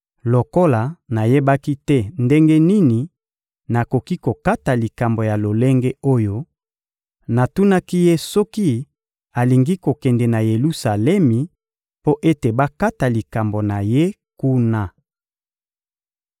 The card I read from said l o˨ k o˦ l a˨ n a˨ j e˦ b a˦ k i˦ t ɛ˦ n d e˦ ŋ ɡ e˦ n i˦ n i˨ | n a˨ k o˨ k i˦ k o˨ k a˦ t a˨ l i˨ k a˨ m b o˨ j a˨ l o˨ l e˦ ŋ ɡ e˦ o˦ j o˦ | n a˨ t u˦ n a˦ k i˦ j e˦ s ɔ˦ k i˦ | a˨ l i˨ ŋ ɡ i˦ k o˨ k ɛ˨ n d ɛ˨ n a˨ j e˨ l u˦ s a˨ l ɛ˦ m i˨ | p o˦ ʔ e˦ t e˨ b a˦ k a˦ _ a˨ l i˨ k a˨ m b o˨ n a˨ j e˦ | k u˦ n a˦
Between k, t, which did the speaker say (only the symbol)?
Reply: t